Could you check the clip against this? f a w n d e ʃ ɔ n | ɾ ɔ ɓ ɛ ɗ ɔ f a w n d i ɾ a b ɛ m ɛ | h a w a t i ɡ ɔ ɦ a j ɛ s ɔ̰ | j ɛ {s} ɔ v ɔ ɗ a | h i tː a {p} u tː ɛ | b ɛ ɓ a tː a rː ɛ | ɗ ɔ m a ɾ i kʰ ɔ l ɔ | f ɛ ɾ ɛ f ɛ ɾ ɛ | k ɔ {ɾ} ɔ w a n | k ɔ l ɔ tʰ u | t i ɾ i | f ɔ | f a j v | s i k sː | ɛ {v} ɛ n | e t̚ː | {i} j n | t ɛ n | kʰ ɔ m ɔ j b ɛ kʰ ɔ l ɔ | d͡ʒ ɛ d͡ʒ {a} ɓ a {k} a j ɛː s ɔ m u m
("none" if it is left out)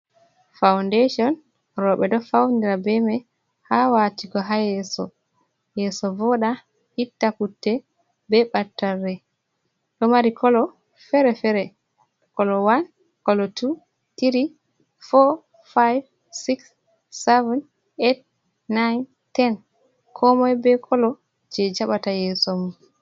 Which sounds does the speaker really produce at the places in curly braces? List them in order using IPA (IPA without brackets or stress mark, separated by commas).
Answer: s, k, l, v, a, a, t